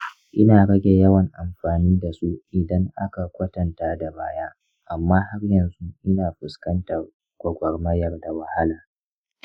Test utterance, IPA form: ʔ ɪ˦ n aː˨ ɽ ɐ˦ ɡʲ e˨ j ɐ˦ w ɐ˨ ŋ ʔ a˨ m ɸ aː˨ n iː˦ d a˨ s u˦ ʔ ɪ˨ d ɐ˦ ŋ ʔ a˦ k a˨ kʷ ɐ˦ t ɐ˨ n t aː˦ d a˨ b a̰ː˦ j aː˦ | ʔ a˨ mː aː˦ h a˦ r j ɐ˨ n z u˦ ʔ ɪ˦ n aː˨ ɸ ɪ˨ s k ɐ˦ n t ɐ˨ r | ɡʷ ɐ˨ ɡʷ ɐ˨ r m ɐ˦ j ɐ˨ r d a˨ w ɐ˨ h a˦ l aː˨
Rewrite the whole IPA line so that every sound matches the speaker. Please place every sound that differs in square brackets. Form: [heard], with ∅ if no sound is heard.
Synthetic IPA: ʔ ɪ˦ n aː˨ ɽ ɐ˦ ɡʲ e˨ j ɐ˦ w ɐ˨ ŋ ʔ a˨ m ɸ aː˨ n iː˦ d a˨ s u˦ ʔ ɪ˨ d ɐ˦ ŋ ʔ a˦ k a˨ kʷ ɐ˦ t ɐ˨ n t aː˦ d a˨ b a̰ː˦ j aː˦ | ʔ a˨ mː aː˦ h a˦ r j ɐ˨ n z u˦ ʔ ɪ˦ n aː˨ ɸ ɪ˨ s k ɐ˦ n t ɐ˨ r | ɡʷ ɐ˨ ɡʷ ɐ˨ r m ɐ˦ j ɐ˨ r d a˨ w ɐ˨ h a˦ l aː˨